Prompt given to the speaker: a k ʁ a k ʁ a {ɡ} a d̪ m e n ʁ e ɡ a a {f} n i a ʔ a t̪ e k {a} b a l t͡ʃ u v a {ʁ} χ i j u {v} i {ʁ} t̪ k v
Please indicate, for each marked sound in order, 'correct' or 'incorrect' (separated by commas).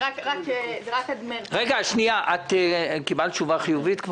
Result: incorrect, incorrect, incorrect, incorrect, correct, incorrect